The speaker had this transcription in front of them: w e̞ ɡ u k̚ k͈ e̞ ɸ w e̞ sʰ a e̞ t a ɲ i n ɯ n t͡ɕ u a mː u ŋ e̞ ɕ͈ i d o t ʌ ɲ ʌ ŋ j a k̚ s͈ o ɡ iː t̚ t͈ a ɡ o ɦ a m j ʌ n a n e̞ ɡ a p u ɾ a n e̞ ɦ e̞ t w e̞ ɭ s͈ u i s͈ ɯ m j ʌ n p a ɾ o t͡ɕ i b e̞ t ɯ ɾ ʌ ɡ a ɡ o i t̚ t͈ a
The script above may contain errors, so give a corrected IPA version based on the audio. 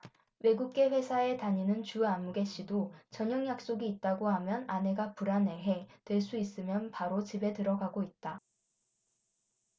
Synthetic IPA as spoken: w e̞ ɡ u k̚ k͈ e̞ ɸ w e̞ sʰ a e̞ t a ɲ i n ɯ n t͡ɕ u a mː u ɡ e̞ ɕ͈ i d o t͡ɕ ʌ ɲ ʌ ŋ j a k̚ s͈ o ɡ iː t̚ t͈ a ɡ o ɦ a m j ʌ n a n e̞ ɡ a p u ɾ a n e̞ ɦ e̞ t w e̞ ɭ s͈ u i s͈ ɯ m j ʌ n p a ɾ o t͡ɕ i b e̞ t ɯ ɾ ʌ ɡ a ɡ o i t̚ t͈ a